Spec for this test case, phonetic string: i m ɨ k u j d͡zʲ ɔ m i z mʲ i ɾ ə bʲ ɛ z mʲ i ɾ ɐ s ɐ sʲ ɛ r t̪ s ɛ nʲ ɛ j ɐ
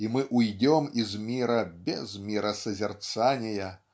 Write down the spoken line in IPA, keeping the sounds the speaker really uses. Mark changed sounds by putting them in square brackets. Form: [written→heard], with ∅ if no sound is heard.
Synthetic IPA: i m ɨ [k→ʔ] u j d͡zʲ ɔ m i z mʲ i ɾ [ə→ɐ] bʲ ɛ z mʲ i ɾ ɐ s ɐ [sʲ→zʲ] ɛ r t̪ s [ɛ→a] nʲ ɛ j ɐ